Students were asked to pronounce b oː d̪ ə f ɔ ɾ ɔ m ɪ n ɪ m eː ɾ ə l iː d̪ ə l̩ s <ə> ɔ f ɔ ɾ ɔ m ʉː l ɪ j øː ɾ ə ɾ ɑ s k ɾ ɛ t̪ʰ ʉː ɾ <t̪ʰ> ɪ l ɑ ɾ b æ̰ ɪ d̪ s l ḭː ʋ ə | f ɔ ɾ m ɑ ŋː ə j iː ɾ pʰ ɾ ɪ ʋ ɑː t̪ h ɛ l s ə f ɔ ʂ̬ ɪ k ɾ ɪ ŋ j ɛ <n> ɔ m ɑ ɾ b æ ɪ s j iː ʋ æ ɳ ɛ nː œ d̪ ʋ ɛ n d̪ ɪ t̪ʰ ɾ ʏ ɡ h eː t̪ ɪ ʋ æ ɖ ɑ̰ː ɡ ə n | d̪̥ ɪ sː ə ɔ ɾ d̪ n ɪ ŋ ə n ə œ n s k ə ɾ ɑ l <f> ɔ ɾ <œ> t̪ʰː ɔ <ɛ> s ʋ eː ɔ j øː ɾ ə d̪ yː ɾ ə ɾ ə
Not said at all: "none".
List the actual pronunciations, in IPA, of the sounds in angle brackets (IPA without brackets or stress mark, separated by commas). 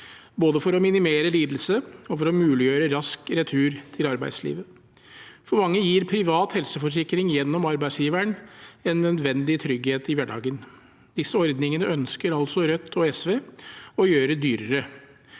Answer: ə, t̪ʰ, nː, s, œ, ɛ